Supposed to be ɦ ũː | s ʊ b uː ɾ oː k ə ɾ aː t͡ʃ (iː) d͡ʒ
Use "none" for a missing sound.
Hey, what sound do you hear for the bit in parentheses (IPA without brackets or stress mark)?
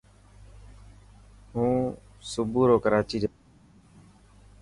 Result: iː